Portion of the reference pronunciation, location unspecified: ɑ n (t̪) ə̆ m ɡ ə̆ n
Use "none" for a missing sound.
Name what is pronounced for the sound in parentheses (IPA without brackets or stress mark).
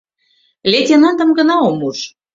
d̪